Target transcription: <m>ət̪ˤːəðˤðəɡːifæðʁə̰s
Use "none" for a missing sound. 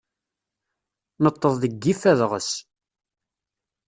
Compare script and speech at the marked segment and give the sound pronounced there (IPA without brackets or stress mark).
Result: n